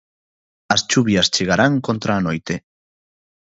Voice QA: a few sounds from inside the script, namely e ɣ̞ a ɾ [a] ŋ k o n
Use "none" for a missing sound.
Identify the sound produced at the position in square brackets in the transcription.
a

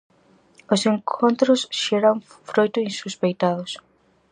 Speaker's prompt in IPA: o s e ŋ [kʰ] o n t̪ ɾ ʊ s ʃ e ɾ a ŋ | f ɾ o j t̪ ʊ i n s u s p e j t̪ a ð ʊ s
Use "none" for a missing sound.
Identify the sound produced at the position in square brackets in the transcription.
kʰ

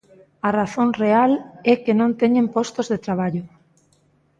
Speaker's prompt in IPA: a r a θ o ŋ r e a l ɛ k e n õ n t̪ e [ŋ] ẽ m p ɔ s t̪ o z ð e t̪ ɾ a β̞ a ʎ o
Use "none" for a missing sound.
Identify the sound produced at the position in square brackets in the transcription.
ɲ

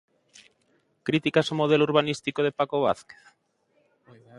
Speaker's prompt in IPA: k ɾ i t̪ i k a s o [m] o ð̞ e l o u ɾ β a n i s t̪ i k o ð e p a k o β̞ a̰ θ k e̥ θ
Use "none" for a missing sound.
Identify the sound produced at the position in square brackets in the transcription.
m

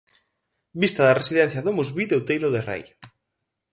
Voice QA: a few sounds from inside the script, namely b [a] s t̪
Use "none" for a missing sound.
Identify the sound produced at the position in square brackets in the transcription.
i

